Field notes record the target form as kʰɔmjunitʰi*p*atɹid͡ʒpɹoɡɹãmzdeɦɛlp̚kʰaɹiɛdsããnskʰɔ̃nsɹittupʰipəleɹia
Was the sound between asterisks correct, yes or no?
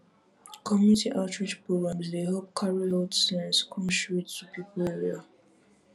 no